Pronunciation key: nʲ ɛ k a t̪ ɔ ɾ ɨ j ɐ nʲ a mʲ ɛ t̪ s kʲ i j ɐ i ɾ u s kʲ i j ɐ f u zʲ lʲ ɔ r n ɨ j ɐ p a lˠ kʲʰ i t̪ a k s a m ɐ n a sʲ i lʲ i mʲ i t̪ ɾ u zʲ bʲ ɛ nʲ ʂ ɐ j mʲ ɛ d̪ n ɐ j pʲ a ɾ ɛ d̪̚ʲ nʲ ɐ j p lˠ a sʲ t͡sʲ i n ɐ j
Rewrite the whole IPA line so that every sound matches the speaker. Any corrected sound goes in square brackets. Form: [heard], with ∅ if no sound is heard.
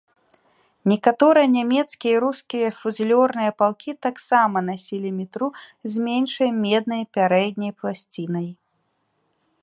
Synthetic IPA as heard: nʲ ɛ k a t̪ ɔ ɾ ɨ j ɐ nʲ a mʲ ɛ t̪ s kʲ i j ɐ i ɾ u s kʲ i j ɐ f u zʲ lʲ ɔ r n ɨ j ɐ p a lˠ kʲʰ i t̪ a k s a m ɐ n a sʲ i lʲ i mʲ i t̪ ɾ u zʲ [mʲ] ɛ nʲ ʂ ɐ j mʲ ɛ d̪ n ɐ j pʲ a ɾ ɛ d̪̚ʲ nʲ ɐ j p lˠ a sʲ t͡sʲ i n ɐ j